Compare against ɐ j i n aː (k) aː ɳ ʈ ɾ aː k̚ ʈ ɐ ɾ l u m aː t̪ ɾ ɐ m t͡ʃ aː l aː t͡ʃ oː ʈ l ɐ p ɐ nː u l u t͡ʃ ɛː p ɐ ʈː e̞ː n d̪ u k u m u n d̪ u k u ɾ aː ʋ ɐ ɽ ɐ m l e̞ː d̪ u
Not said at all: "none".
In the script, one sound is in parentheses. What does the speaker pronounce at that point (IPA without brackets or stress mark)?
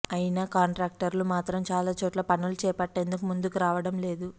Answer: k